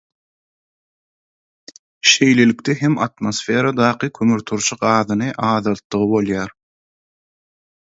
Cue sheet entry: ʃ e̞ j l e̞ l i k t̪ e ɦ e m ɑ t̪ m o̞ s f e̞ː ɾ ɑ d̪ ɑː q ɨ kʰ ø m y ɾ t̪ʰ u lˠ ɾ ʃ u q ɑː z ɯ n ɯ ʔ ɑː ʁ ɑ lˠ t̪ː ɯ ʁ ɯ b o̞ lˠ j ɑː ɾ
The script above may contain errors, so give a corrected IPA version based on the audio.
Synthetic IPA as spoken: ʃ e̞ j l e̞ l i k t̪ e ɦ e m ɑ t̪ m o̞ s f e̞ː ɾ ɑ d̪ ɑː q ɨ kʰ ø m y ɾ t̪ʰ u ɾ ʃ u q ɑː ð ɯ n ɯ ʔ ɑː ð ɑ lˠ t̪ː ɯ ʁ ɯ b o̞ lˠ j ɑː ɾ

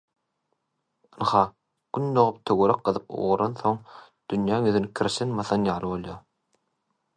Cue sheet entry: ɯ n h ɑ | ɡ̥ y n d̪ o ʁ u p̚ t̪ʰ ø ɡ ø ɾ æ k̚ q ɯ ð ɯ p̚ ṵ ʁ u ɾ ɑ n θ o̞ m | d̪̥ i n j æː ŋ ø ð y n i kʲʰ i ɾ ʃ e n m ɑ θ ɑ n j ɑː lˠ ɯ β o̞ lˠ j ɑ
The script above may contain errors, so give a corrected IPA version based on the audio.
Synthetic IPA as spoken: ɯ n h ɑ | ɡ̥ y n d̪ o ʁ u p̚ t̪ʰ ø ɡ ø ɾ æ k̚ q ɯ ð ɯ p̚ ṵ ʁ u ɾ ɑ n θ o̞ ŋ | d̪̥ y n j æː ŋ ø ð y n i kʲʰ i ɾ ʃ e n m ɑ θ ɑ n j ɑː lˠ ɯ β o̞ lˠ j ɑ

